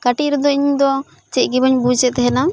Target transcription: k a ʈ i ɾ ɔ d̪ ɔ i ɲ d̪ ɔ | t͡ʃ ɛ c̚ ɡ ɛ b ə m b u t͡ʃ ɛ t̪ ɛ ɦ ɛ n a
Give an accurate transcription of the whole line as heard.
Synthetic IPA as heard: k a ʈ i ɾ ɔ d̪ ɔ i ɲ d̪ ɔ | t͡ʃ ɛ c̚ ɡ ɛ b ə ɲ b u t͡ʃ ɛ t̪ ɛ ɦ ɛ n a

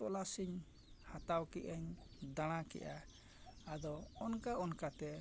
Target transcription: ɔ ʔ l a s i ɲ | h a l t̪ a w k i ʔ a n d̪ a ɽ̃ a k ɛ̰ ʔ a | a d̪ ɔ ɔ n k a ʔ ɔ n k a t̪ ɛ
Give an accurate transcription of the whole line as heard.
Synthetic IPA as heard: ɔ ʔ l a s i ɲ | h a t̪ a w k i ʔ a ɲ d̪ a ɽ̃ a k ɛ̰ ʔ a | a d̪ ɔ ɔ n k a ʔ ɔ n k a t̪ ɛ

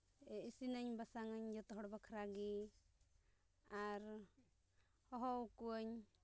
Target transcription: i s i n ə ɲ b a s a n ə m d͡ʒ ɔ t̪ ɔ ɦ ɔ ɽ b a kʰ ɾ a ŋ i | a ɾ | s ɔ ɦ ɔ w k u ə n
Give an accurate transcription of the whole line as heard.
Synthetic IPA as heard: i s i n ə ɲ b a s a ŋ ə ɲ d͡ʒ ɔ t̪ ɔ ɦ ɔ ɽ b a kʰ ɾ a ɡ i | a ɾ | h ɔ ɦ ɔ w k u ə ɲ

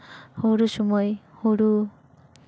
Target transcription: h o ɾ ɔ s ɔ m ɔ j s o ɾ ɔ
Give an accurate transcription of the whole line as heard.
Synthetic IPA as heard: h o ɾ u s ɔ m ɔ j h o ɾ u

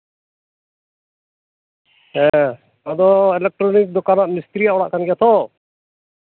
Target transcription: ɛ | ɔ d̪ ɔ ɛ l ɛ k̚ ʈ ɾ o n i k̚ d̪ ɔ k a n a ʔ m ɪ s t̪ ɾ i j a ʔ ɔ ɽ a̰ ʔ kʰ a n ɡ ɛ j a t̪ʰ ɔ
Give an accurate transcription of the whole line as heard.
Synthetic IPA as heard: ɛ | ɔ d̪ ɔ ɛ l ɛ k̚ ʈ ɾ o n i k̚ d̪ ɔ k a n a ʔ m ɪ s t̪ ɾ i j a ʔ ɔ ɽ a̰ ʔ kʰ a n ɡ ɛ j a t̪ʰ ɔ

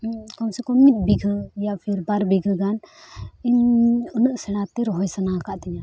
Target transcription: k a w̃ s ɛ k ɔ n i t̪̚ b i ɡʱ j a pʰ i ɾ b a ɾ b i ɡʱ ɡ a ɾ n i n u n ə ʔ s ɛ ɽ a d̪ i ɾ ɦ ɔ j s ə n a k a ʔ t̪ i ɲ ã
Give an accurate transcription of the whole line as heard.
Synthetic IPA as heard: k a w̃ s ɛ k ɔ m i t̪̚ b i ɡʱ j a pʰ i ɾ b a ɾ b i ɡʱ ɡ a n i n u n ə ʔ s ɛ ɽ a t̪ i ɾ ɦ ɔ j s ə n a k a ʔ t̪ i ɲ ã

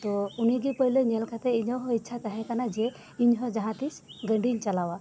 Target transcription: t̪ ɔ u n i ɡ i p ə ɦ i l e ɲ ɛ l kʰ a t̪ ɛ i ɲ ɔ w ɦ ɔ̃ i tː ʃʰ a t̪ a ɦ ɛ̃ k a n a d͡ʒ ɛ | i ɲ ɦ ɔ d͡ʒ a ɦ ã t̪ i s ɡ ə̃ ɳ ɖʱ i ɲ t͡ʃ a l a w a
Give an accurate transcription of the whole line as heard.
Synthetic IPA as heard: t̪ ɔ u n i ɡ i p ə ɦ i l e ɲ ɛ l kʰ a t̪ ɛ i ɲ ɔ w ɦ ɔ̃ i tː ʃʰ a t̪ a ɦ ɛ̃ k a n a d͡ʒ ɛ | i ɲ ɦ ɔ d͡ʒ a ɦ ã t̪ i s ɡ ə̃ ɳ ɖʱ i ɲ t͡ʃ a l a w a

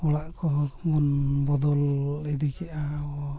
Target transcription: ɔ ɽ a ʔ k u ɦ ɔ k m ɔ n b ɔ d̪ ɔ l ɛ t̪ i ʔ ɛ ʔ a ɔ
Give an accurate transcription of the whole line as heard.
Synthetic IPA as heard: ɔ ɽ a ʔ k ɔ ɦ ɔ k m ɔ n b ɔ d̪ ɔ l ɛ d̪ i k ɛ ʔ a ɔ

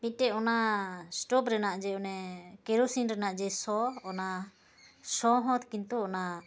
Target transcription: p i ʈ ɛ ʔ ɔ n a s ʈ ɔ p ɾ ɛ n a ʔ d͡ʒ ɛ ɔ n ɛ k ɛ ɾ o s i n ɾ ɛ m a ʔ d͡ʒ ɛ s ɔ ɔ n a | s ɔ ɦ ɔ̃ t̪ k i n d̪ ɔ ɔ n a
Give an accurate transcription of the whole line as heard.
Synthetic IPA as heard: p i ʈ ɛ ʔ ɔ n a s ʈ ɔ p ɾ ɛ n a ʔ d͡ʒ ɛ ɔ n ɛ k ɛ ɾ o s i n ɾ ɛ n a ʔ d͡ʒ ɛ s ɔ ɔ n a | s ɔ ɦ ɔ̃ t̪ k i n t̪ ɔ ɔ n a

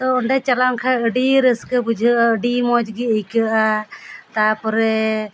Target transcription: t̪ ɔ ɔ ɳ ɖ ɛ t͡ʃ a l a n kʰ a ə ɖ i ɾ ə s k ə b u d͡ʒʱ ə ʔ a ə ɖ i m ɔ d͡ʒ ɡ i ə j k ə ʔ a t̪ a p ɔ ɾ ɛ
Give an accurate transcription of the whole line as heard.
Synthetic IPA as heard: t̪ ɔ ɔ ɳ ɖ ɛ t͡ʃ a l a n kʰ a ə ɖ i ɾ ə s k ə b u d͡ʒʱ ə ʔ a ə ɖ i m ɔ d͡ʒ ɡ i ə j k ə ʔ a t̪ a p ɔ ɾ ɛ

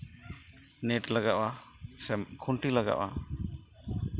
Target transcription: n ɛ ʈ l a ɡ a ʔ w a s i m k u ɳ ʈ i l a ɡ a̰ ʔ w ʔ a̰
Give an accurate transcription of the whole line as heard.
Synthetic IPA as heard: n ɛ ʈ l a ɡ a ʔ w a s ɛ m kʰ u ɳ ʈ i l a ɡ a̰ ʔ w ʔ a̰

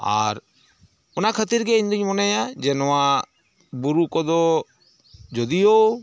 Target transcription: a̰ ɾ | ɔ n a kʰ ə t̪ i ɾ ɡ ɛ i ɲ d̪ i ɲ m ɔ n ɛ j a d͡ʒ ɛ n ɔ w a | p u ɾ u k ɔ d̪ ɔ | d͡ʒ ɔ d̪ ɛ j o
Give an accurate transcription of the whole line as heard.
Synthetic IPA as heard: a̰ ɾ | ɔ n a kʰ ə t̪ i ɾ ɡ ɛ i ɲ d̪ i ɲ m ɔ n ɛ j a d͡ʒ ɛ n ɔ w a | b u ɾ u k ɔ d̪ ɔ | d͡ʒ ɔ d̪ i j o

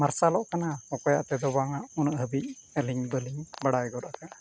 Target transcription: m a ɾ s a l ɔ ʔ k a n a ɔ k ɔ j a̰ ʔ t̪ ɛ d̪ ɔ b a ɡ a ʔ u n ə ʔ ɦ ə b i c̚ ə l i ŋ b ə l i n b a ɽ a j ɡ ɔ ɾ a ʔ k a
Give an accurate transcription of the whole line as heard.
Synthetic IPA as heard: m a ɾ s a l ɔ ʔ k a n a ɔ k ɔ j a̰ ʔ t̪ ɛ d̪ ɔ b a ŋ a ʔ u n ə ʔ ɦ ə b i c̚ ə l i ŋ b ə l i ŋ b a ɽ a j ɡ ɔ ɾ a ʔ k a

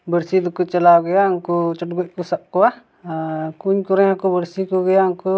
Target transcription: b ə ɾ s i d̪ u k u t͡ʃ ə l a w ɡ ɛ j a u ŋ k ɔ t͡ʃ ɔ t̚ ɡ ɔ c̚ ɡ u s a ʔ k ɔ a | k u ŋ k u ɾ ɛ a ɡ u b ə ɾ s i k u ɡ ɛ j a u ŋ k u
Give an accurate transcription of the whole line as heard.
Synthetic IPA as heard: b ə ɾ s i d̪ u k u t͡ʃ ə l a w ɡ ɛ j a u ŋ k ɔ t͡ʃ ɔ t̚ ɡ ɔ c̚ k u s a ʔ k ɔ a | k u ɲ k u ɾ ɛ a k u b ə ɾ s i k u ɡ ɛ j a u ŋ k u

